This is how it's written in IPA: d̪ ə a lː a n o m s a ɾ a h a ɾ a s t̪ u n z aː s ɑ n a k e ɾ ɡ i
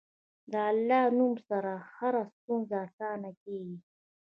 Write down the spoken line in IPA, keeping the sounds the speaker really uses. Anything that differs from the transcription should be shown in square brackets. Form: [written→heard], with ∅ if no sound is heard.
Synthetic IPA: d̪ ə a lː [a→ɑ] n [o→u] m s a ɾ a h a ɾ a s t̪ u n z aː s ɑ n a k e [ɾ→∅] ɡ i